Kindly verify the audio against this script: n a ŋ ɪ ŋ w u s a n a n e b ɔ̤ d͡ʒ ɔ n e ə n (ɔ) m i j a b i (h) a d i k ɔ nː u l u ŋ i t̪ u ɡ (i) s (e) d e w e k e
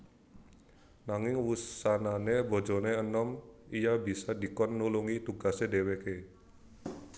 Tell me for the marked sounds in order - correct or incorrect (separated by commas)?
correct, incorrect, incorrect, correct